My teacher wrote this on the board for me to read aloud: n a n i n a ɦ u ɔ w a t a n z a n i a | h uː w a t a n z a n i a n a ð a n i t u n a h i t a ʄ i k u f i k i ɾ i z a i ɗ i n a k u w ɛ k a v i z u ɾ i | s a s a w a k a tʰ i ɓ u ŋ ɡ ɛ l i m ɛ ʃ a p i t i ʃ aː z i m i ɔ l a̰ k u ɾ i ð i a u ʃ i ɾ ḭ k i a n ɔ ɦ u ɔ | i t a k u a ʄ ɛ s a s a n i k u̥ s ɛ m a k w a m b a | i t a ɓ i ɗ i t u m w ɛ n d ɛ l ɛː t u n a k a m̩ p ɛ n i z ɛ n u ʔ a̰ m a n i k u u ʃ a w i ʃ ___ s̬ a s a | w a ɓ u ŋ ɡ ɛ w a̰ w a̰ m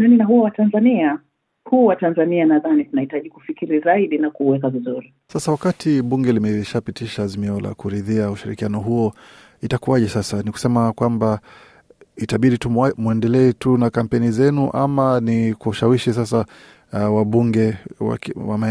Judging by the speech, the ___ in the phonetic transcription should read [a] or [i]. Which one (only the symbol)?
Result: i